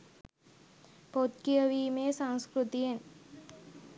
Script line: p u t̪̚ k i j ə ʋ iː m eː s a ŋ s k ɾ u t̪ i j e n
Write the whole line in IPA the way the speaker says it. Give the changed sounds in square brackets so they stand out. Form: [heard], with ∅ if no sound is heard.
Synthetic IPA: p [o] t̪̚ k i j ə ʋ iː m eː s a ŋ s k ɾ u t̪ i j e n